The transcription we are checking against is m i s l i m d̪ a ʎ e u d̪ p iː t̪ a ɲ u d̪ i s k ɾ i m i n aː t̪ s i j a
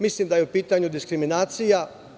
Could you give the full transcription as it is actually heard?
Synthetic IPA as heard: m i s l i m d̪ a j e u p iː t̪ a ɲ u d̪ i s k ɾ i m i n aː t̪ s i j a